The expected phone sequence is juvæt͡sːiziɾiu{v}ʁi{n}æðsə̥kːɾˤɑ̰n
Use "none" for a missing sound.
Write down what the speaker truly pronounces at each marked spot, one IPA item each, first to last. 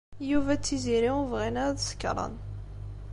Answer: v, n

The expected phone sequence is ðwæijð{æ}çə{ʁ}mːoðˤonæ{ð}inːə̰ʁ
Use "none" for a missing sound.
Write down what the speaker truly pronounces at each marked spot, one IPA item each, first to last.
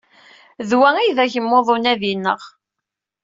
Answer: æ, none, ð

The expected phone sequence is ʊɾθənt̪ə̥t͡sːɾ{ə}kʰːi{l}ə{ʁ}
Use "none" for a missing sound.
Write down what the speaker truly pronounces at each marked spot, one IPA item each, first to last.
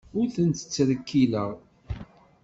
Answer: ə, l, ʁ

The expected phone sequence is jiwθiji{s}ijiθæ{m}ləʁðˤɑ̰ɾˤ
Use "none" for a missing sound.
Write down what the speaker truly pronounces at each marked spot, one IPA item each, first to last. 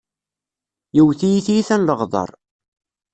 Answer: θ, n

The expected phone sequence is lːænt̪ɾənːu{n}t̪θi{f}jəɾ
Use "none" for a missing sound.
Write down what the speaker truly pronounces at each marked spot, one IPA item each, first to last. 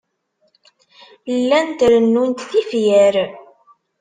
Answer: n, f

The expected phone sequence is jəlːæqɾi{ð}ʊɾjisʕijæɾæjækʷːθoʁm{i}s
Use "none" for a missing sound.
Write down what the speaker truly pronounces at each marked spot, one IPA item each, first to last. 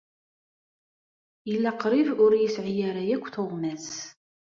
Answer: v, æ

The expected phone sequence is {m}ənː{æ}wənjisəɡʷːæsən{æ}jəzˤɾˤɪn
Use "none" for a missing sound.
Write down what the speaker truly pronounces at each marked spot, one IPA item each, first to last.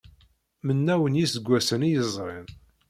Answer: m, æ, i

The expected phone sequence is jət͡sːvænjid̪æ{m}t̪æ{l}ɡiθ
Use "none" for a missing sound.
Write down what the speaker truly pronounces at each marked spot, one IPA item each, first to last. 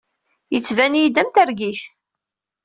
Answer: m, ɾ

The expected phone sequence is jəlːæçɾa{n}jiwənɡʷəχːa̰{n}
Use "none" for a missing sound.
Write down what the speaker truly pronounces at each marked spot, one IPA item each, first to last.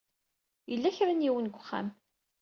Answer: n, m

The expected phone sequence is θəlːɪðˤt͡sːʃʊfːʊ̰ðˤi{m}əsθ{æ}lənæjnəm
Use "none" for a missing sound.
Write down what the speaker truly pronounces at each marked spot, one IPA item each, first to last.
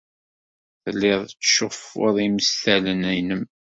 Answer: m, æ

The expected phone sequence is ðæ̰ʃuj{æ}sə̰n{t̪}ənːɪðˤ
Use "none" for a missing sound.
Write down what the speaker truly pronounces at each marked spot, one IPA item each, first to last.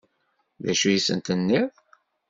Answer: i, t̪

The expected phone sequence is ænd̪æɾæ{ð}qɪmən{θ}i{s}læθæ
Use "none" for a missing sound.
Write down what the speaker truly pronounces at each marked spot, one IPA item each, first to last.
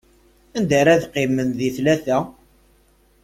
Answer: ð, ð, θ

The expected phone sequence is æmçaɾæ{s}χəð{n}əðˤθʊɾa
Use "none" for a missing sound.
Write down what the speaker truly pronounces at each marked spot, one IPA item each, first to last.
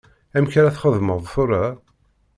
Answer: θ, m

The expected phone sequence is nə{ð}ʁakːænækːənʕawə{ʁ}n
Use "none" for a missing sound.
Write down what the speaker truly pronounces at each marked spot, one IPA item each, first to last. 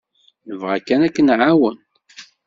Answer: v, none

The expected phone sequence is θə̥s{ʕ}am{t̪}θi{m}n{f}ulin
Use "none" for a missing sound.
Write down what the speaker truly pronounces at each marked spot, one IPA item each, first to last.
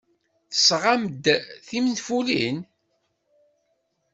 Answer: ʁ, d̪, m, f

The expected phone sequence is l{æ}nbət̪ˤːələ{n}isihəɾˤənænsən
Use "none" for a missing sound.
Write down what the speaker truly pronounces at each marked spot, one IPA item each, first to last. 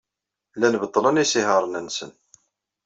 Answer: æ, n

